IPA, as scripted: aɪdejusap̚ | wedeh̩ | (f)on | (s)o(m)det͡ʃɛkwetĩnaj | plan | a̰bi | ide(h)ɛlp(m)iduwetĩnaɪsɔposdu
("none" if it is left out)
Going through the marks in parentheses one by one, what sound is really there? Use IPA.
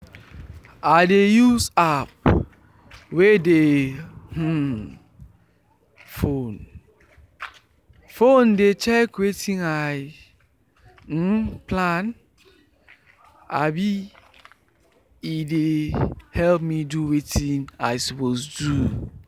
f, f, n, h, m

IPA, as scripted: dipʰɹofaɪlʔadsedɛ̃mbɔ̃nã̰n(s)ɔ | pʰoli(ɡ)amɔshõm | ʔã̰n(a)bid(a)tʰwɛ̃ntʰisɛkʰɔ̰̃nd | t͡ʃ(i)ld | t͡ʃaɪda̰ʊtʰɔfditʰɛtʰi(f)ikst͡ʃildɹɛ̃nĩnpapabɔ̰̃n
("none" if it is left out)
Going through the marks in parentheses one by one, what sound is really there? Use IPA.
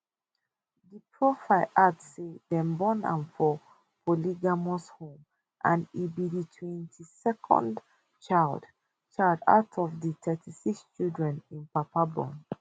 f, ɡ, i, i, a, s

